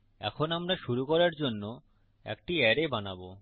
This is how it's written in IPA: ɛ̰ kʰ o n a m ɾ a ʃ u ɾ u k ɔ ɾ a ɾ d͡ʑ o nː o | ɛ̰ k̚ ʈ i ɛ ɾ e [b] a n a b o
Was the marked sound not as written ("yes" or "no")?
no